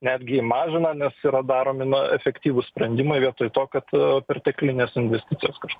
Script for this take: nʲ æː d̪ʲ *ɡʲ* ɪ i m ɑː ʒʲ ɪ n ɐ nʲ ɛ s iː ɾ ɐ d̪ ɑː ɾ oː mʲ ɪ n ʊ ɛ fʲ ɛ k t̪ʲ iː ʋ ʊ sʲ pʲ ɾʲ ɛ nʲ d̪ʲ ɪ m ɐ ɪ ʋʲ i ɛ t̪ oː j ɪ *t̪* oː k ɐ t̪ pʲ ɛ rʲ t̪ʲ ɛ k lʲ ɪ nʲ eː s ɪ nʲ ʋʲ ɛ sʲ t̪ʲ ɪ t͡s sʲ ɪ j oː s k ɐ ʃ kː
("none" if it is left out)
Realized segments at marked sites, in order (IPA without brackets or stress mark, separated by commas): ɡʲ, t̪